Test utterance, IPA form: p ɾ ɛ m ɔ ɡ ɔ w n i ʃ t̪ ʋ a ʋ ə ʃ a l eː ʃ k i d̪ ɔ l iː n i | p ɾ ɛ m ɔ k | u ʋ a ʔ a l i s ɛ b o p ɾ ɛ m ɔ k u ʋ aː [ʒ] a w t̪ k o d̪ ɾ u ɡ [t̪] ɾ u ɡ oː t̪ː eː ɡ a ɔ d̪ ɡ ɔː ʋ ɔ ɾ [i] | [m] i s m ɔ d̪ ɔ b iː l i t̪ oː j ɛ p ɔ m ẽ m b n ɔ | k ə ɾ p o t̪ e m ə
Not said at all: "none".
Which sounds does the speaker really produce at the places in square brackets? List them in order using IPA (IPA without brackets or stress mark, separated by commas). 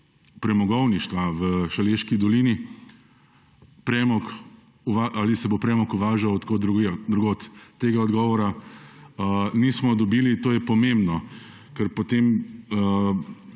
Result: ʒ, d̪, a, n